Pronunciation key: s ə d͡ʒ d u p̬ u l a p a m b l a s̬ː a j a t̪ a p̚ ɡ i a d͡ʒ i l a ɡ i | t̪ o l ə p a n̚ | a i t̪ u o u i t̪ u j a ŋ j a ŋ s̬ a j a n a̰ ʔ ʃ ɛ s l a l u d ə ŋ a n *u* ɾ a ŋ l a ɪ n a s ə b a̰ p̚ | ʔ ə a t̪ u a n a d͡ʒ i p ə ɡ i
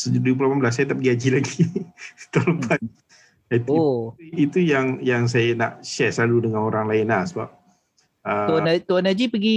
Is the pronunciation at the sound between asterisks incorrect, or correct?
incorrect